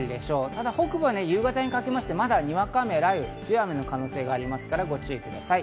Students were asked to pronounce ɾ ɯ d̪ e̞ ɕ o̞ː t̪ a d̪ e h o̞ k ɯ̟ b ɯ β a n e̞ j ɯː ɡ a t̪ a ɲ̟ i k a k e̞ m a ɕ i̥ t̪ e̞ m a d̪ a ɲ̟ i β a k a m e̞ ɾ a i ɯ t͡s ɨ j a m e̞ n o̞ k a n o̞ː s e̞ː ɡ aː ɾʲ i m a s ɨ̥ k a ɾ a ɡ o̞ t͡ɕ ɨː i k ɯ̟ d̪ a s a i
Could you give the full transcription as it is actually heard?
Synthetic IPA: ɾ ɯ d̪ e̞ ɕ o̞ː t̪ a d̪ a h o̞ k ɯ̟ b ɯ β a n e̞ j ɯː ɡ a t̪ a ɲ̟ i k a k e̞ m a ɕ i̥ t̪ e̞ m a d̪ a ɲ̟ i β a k a m e̞ ɾ a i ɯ t͡s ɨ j a m e̞ n o̞ k a n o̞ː s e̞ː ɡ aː ɾʲ i m a s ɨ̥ k a ɾ a ɡ o̞ t͡ɕ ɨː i k ɯ̟ d̪ a s a i